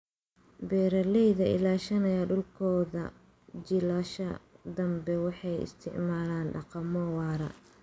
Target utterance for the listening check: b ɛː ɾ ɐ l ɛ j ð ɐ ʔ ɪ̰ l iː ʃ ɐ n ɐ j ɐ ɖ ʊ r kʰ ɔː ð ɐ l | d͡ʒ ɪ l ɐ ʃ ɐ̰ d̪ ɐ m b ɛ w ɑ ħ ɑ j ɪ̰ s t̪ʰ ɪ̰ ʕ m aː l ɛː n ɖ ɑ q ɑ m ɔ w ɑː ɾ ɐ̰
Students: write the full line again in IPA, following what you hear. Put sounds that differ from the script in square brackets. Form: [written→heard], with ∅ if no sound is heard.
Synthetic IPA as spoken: b ɛː ɾ ɐ l ɛ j ð ɐ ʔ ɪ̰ l [iː→aː] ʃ ɐ n ɐ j ɐ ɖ ʊ [r→l] kʰ ɔː ð ɐ [l→∅] | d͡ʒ ɪ l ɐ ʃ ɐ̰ d̪ ɐ m b ɛ w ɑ ħ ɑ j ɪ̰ s t̪ʰ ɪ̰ ʕ m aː l [ɛː→aː] n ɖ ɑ q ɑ m ɔ w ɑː ɾ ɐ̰

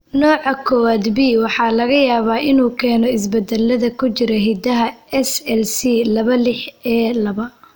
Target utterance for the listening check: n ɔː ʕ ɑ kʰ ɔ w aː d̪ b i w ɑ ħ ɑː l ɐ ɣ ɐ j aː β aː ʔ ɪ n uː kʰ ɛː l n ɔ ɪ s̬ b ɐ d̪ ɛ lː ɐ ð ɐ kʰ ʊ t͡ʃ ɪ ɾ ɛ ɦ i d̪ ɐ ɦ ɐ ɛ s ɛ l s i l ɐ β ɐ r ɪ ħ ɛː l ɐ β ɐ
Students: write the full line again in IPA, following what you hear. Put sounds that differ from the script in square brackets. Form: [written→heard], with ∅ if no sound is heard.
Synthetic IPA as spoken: n ɔː ʕ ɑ kʰ ɔ w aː d̪ b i w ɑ ħ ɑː l ɐ ɣ ɐ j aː β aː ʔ ɪ n uː kʰ ɛː [l→∅] n ɔ ɪ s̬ b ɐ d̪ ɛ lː ɐ ð ɐ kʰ ʊ t͡ʃ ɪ ɾ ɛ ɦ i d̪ ɐ ɦ ɐ ɛ s ɛ l s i l ɐ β ɐ [r→l] ɪ ħ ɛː l ɐ β ɐ

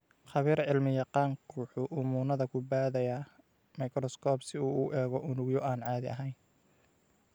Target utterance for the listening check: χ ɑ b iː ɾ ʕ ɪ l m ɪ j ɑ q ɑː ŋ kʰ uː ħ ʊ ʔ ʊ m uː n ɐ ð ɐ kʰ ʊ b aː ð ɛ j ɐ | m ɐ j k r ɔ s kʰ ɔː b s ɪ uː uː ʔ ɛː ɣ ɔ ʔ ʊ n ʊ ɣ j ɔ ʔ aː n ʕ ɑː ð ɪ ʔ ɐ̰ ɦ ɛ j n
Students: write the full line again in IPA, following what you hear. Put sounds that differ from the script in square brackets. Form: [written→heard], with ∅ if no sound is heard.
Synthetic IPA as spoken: χ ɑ [b→β] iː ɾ ʕ ɪ l m ɪ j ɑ q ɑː ŋ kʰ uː ħ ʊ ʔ ʊ m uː n ɐ ð ɐ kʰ ʊ b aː ð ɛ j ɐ | m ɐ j k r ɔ s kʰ ɔː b s ɪ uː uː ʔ ɛː ɣ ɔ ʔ ʊ n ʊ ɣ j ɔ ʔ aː n ʕ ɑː ð ɪ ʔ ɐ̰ ɦ ɛ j n

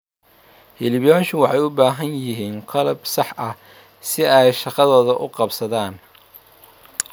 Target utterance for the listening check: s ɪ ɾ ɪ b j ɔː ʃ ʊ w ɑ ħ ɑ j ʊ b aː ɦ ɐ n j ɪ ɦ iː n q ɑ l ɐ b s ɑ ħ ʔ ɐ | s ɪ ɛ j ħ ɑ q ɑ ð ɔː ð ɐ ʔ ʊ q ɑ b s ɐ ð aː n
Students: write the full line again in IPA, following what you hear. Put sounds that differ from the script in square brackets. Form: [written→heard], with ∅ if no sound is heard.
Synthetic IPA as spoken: [s→h] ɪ [ɾ→l] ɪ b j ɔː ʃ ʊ w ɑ ħ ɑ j ʊ b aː ɦ ɐ n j ɪ ɦ iː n q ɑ l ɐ b s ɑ ħ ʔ ɐ | s ɪ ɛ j [ħ→ʃ] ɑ q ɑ ð ɔː ð ɐ ʔ ʊ q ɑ b s ɐ ð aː n

